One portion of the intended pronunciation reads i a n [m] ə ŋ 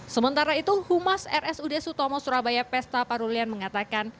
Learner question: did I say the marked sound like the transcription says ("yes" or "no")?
yes